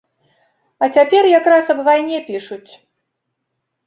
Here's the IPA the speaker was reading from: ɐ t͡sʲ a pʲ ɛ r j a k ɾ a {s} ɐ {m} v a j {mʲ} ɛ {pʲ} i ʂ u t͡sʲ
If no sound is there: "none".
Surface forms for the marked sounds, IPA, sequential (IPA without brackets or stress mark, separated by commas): s, b, nʲ, pʲ